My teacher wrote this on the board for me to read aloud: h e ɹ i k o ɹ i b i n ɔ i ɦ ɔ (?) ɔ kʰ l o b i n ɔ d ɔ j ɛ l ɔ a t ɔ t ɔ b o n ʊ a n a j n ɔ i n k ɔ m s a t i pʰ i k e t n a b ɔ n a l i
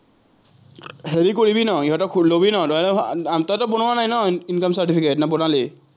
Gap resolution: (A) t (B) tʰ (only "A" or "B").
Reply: A